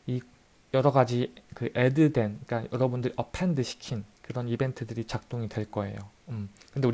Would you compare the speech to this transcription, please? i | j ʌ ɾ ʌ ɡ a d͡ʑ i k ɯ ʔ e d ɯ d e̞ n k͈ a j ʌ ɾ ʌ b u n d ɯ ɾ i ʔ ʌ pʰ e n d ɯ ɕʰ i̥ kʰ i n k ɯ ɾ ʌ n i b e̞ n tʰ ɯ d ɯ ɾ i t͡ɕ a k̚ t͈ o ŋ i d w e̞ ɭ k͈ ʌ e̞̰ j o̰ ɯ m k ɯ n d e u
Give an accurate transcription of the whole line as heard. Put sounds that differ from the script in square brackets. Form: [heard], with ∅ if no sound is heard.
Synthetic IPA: i | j ʌ ɾ ʌ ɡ a d͡ʑ i k ɯ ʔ e d ɯ d e̞ n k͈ a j ʌ ɾ ʌ b u n d ɯ ɾ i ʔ ʌ pʰ e n d ɯ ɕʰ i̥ kʰ i n k ɯ ɾ ʌ n i b e̞ n tʰ ɯ d ɯ ɾ i t͡ɕ a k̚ t͈ o ŋ i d w e̞ ɭ k͈ ʌ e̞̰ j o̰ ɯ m k ɯ n d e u